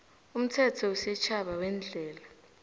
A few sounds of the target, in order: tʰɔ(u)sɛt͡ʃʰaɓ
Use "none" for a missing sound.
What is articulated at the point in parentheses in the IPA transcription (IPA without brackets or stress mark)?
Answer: u